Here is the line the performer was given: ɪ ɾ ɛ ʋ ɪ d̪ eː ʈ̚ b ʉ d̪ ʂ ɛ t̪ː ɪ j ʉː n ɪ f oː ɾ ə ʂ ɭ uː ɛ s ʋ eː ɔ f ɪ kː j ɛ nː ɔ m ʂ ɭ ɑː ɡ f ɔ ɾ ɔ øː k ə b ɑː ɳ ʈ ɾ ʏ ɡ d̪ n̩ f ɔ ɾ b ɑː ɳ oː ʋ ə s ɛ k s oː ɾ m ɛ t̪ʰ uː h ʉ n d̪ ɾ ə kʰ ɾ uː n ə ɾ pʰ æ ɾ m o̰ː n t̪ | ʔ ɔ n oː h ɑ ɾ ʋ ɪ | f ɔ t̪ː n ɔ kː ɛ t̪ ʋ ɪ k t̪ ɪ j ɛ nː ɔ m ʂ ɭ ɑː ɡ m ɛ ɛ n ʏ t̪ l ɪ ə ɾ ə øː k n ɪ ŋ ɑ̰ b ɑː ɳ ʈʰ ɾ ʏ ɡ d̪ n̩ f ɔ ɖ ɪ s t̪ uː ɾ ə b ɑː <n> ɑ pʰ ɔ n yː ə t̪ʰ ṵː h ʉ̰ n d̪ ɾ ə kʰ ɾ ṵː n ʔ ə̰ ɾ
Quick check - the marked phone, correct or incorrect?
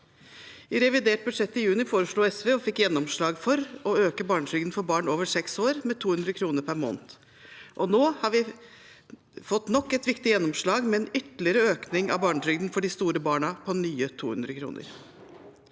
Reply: incorrect